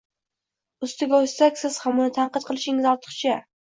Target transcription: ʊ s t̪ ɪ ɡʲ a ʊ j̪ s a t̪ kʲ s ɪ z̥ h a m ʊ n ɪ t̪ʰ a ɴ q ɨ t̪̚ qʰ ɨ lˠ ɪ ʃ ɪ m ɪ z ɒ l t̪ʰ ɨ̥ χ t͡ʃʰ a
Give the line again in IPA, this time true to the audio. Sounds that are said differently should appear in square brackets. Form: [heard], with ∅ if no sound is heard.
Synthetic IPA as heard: ʊ s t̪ ɪ ɡʲ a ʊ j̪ s a [∅] kʲ s ɪ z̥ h a m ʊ n ɪ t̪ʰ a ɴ q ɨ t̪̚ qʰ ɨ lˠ ɪ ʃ ɪ [ŋ] ɪ z ɒ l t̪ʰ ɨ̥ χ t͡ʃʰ a